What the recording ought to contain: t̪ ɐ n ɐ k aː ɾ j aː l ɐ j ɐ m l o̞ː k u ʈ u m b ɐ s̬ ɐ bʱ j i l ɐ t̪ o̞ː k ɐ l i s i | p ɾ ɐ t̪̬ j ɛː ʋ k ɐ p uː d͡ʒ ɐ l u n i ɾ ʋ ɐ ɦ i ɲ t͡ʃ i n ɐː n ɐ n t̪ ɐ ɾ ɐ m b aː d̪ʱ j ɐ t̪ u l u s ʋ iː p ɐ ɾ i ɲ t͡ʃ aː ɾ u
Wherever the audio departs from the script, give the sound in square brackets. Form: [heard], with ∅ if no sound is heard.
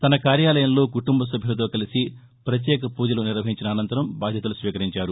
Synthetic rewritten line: t̪ ɐ n ɐ k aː ɾ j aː l ɐ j ɐ m l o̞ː k u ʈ u m b ɐ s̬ ɐ bʱ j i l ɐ t̪ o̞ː k ɐ l i s i | p ɾ ɐ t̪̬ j ɛː [∅] k ɐ p uː d͡ʒ ɐ l u n i ɾ ʋ ɐ ɦ i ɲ t͡ʃ i n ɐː n ɐ n t̪ ɐ ɾ ɐ m b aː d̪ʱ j ɐ t̪ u l u s ʋ iː [k] ɐ ɾ i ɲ t͡ʃ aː ɾ u

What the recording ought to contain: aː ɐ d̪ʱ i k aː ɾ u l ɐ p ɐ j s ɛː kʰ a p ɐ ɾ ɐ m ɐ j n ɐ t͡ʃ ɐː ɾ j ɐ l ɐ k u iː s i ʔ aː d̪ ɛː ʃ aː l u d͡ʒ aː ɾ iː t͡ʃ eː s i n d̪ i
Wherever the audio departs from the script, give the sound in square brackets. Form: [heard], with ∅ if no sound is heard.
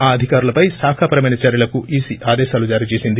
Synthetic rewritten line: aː ɐ d̪ʱ i k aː ɾ u l ɐ p ɐ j s [aː] kʰ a p ɐ ɾ ɐ m ɐ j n ɐ t͡ʃ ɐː ɾ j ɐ l ɐ k u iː s i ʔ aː d̪ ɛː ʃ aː l u d͡ʒ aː ɾ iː t͡ʃ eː s i n d̪ i

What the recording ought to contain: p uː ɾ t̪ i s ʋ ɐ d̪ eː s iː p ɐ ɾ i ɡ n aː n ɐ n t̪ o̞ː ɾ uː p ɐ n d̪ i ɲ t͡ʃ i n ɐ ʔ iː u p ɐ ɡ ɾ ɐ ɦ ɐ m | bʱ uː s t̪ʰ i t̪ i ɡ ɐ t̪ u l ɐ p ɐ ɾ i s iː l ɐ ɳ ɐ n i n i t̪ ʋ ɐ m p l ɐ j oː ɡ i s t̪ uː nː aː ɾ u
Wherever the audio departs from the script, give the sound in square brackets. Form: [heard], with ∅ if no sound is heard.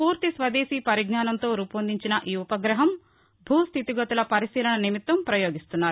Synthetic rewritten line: p uː ɾ t̪ i s ʋ ɐ d̪ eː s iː p ɐ ɾ i ɡ n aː n ɐ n t̪ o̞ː ɾ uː p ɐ n d̪ i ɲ t͡ʃ i n ɐ ʔ iː u p ɐ ɡ ɾ ɐ ɦ ɐ m | bʱ uː s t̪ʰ i t̪ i ɡ ɐ t̪ u l ɐ p ɐ ɾ i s iː l ɐ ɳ ɐ n i [m] i t̪ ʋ ɐ m p [ɾ] ɐ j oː ɡ i s t̪ [u] nː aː ɾ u

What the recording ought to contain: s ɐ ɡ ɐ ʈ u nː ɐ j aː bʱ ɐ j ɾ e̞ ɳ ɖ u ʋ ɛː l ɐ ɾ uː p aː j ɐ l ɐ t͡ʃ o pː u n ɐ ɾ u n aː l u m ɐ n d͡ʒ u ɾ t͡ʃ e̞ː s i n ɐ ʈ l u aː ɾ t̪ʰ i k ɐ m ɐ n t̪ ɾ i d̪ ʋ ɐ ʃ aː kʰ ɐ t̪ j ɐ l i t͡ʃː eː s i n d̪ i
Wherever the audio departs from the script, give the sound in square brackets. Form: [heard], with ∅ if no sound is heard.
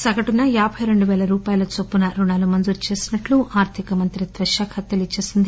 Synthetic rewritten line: s ɐ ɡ ɐ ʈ u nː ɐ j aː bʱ ɐ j ɾ e̞ ɳ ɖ u ʋ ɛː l ɐ ɾ uː p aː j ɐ l ɐ t͡ʃ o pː u n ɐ ɾ u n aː l u m ɐ n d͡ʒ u ɾ t͡ʃ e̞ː s i n ɐ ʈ l u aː ɾ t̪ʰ i k ɐ m ɐ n t̪ ɾ i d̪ ʋ ɐ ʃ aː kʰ ɐ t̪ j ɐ l i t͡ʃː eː s i n d̪ i

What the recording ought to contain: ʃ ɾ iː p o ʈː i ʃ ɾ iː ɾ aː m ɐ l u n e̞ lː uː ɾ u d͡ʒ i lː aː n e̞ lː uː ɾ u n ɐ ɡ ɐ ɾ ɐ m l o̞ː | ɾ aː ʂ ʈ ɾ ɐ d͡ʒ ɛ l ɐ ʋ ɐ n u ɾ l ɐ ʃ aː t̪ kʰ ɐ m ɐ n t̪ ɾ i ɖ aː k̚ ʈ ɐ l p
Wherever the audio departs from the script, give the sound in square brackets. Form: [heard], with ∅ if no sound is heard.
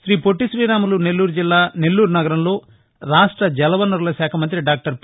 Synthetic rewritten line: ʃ ɾ iː p o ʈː i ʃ ɾ iː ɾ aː m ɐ l u n e̞ lː uː ɾ u d͡ʒ i lː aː n e̞ lː uː ɾ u n ɐ ɡ ɐ ɾ ɐ m l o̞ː | ɾ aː ʂ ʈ ɾ ɐ d͡ʒ ɛ l ɐ ʋ ɐ n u ɾ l ɐ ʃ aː [∅] kʰ ɐ m ɐ n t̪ ɾ i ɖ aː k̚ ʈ ɐ [ɾ] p

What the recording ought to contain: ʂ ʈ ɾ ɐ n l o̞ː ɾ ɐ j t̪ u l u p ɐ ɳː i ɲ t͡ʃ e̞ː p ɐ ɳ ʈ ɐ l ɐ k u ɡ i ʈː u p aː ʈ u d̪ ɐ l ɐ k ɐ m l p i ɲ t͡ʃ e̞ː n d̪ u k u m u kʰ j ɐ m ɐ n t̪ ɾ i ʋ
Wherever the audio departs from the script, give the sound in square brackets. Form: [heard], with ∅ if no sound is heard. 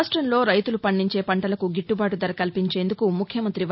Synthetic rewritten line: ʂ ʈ ɾ ɐ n l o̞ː ɾ ɐ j t̪ u l u p ɐ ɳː i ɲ t͡ʃ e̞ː p ɐ ɳ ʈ ɐ l ɐ k u ɡ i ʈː u [b] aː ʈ u d̪ ɐ [ɾ] ɐ k ɐ [∅] l p i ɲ t͡ʃ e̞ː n d̪ u k u m u kʰ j ɐ m ɐ n t̪ ɾ i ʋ

